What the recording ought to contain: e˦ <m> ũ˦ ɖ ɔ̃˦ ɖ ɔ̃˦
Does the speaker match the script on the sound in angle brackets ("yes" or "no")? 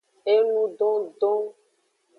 no